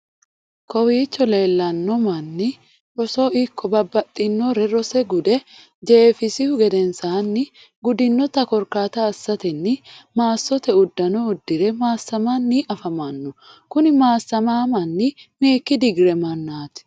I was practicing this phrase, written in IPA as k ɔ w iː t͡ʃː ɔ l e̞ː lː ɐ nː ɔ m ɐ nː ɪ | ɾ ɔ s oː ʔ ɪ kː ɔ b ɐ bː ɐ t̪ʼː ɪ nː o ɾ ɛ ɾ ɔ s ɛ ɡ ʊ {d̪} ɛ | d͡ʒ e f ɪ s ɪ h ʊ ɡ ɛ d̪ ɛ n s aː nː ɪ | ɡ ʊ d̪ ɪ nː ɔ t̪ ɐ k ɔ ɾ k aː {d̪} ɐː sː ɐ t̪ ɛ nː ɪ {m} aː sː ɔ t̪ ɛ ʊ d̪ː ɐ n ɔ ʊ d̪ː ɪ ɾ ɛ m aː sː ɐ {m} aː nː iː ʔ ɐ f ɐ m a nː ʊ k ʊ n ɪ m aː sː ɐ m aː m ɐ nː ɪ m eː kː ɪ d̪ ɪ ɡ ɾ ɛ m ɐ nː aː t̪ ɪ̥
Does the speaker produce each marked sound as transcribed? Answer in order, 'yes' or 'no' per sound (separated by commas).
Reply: yes, no, yes, yes